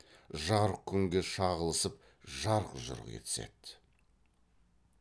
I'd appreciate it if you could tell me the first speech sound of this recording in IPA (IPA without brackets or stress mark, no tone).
ʒ